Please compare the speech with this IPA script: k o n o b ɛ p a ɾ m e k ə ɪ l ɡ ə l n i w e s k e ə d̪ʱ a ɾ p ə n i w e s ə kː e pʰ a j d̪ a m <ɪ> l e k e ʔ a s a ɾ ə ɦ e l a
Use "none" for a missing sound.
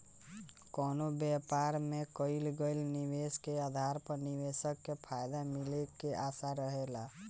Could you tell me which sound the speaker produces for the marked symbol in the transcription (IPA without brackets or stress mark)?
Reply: i